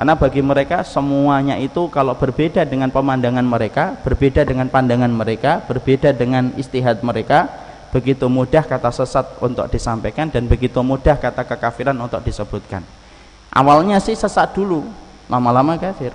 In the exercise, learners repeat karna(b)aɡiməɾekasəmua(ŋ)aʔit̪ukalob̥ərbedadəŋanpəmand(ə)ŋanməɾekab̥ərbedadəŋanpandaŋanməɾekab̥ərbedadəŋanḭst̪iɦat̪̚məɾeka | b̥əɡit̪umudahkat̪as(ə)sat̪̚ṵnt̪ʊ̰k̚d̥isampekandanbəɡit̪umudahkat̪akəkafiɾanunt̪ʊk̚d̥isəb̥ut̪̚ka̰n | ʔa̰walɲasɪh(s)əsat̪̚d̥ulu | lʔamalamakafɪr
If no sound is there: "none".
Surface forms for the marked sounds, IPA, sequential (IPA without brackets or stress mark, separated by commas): b, ɲ, a, ə, s